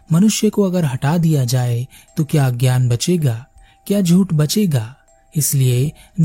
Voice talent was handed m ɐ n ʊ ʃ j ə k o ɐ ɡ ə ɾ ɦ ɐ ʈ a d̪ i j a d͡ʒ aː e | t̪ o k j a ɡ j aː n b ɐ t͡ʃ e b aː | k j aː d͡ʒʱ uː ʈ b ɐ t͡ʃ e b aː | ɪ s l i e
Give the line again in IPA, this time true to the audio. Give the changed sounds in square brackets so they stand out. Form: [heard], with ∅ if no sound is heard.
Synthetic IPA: m ɐ n ʊ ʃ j ə k o ɐ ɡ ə ɾ ɦ ɐ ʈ a d̪ i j a d͡ʒ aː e | t̪ o k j a ɡ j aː n b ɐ t͡ʃ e [ɡ] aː | k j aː d͡ʒʱ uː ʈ b ɐ t͡ʃ e [ɡ] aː | ɪ s l i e